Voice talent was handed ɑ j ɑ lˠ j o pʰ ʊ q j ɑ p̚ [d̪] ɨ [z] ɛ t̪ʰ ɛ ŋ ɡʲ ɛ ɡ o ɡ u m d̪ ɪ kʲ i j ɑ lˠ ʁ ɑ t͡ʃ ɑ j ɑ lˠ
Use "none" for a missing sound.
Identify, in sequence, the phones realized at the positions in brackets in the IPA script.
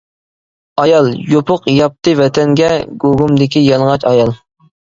t̪, v

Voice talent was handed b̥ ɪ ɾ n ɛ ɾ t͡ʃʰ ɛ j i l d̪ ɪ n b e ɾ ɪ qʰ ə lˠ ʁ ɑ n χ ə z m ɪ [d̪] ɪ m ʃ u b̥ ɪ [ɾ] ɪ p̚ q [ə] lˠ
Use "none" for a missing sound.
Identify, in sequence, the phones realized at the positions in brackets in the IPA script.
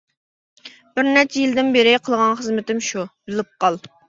t̪, l, ɑ

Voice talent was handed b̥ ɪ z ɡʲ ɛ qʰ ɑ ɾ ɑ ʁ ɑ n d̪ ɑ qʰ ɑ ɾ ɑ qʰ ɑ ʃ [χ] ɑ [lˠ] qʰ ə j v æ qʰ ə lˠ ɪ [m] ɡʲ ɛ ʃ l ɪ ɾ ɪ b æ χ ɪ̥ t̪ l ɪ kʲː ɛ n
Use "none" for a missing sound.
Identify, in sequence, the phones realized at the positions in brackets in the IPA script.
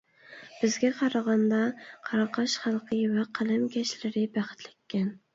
χ, lˠ, m

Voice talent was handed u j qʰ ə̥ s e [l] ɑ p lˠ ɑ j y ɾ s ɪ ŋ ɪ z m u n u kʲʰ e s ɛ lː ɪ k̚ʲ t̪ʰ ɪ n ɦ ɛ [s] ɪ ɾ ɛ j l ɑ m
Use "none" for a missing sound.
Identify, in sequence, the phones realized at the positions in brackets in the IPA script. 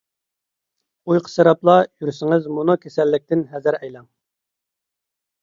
ɾ, z

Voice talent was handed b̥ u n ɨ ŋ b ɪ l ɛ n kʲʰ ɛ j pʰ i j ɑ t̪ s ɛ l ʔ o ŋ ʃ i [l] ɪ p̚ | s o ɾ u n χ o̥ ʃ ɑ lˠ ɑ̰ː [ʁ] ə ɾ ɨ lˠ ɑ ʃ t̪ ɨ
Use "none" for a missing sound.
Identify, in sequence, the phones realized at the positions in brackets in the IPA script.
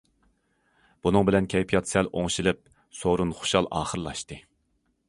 l, χ

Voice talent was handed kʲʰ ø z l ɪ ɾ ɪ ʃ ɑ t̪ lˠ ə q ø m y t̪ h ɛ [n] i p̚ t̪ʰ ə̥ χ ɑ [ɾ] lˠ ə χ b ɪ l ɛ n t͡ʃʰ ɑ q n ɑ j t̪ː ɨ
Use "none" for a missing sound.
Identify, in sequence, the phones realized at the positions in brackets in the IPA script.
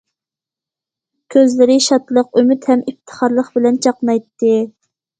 m, ɾ

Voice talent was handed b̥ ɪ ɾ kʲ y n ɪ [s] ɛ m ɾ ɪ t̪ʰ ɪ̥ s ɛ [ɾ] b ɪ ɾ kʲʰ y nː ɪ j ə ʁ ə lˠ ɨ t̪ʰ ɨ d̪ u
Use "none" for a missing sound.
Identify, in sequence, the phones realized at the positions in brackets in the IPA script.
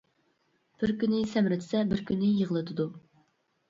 s, none

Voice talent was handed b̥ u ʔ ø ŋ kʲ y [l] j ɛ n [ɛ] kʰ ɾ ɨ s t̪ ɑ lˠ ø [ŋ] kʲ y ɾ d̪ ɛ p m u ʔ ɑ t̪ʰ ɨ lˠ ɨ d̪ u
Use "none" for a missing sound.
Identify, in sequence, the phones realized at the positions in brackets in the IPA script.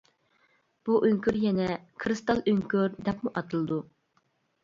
ɾ, ɛ, ŋ

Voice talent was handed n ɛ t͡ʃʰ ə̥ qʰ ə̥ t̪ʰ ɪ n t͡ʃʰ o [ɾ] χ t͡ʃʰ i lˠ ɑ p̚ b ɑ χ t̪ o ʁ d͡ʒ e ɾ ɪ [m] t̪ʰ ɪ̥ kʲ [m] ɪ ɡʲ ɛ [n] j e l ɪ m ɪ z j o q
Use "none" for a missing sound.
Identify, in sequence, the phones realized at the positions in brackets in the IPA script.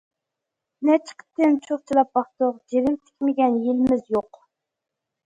none, m, m, n

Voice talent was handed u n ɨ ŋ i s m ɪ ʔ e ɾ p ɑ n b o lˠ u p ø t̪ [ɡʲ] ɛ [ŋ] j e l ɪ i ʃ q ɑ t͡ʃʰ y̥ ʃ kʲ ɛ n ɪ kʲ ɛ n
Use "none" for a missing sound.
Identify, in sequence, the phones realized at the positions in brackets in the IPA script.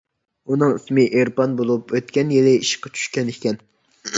kʲ, n

